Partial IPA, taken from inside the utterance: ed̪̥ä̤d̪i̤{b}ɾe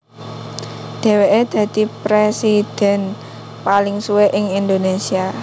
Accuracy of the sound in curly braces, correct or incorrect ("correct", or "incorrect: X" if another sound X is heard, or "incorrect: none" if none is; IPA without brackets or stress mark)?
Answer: incorrect: p